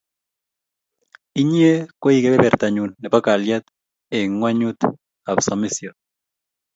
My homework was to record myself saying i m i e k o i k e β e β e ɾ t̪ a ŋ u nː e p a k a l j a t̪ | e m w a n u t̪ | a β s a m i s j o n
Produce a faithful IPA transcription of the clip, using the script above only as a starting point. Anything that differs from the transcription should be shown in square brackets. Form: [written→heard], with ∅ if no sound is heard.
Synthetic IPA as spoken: i [m→ɲ] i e k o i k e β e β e ɾ t̪ a [ŋ→ɲ] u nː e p a k a l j a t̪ | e [m→ŋ] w a [n→ɲ] u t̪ | a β s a m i s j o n